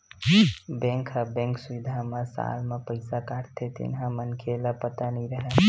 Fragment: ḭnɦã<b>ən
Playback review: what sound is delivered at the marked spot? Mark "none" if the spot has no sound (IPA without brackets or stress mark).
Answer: m